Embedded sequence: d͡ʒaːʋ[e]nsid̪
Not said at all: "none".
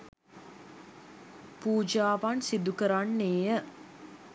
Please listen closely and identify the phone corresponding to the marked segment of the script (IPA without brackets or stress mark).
a